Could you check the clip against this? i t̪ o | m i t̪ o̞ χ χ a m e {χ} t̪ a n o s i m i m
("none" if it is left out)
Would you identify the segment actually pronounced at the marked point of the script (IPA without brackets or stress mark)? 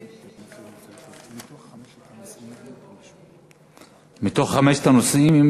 ʃ